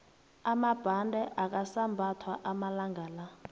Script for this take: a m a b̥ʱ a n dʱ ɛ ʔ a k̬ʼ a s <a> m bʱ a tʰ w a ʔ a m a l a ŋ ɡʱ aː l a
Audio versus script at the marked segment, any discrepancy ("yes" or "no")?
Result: no